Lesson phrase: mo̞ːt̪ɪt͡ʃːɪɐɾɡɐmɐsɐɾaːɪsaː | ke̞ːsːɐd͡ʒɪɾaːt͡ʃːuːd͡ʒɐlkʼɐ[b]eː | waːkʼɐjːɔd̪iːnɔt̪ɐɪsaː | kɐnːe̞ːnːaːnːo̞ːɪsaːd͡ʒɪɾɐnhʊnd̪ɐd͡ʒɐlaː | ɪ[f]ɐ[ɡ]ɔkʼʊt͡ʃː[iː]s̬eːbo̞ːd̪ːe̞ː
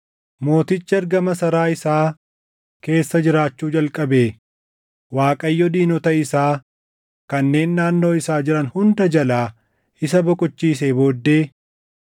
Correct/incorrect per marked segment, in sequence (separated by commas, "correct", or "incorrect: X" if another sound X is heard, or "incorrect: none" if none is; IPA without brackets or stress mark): correct, incorrect: s, incorrect: b, correct